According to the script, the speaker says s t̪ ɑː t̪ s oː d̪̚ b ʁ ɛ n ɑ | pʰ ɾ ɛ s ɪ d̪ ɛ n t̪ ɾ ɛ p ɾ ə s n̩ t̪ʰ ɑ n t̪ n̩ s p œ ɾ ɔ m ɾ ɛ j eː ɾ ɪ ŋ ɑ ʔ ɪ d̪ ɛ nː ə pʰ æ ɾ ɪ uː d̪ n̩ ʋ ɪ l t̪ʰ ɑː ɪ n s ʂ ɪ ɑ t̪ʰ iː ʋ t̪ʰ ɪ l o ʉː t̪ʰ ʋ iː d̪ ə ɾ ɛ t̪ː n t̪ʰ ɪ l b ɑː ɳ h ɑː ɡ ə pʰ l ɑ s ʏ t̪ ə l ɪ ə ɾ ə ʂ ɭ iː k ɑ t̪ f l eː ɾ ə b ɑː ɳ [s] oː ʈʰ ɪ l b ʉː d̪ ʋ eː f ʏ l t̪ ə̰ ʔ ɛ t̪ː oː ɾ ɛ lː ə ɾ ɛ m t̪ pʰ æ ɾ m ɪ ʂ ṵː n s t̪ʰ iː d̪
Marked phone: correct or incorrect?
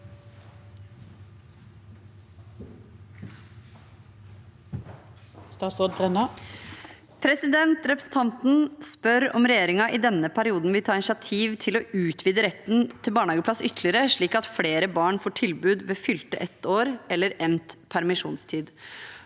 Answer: incorrect